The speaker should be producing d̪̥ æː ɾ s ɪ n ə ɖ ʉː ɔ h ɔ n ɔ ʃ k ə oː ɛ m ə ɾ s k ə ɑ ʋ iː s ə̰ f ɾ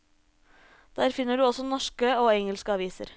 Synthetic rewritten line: d̪̥ æː ɾ f ɪ n ə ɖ ʉː ɔ s ɔ n ɔ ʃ k ə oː ɛ ŋ ə l s k ə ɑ ʋ iː s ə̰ ɾ